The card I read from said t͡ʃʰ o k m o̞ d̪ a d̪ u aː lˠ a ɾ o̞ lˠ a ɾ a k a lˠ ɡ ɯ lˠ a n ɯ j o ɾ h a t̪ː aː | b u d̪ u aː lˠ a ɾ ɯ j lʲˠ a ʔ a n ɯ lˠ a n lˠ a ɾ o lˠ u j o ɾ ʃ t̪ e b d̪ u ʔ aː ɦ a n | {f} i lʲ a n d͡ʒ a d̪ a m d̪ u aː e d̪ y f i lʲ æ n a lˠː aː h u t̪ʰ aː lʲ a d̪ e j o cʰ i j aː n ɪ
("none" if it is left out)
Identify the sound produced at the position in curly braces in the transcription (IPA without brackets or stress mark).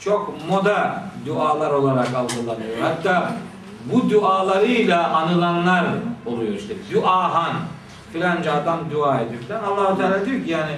f